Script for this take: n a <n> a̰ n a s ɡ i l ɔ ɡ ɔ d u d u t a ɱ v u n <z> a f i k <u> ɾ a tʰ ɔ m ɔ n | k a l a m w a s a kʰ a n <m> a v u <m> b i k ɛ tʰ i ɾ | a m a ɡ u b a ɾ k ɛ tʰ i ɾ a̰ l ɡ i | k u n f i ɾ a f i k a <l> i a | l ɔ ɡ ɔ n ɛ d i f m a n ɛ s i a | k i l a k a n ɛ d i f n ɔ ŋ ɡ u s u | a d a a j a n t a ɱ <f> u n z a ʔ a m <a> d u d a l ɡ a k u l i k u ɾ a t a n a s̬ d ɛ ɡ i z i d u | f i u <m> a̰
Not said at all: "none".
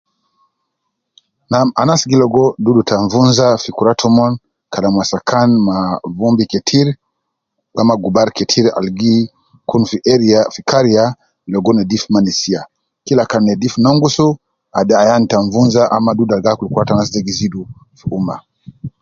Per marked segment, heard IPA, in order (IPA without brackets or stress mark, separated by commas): m, z, u, m, m, ɾ, v, a, m